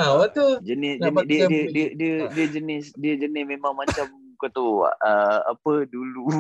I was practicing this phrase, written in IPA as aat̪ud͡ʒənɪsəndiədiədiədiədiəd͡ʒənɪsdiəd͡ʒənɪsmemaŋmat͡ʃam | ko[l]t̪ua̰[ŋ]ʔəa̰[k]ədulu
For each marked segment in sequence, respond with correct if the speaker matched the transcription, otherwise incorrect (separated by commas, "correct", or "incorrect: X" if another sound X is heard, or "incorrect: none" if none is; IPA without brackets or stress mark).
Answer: incorrect: none, incorrect: none, incorrect: p